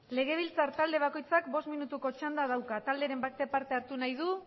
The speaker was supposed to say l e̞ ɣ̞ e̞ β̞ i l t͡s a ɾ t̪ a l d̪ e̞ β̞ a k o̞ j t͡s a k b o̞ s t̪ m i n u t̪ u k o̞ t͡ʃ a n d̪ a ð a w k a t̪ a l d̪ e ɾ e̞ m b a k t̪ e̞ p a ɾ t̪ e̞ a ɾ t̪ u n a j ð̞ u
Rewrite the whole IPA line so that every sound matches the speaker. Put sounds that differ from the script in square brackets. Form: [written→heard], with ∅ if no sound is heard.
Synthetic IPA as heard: l e̞ ɣ̞ e̞ β̞ i l t͡s a ɾ t̪ a l d̪ e̞ β̞ a k o̞ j t͡s a k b o̞ s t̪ m i n u t̪ u k o̞ t͡ʃ a n d̪ a ð a w k a t̪ a l d̪ e ɾ e̞ m b a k t̪ e̞ p a ɾ t̪ e̞ a ɾ t̪ u n a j ð̞ u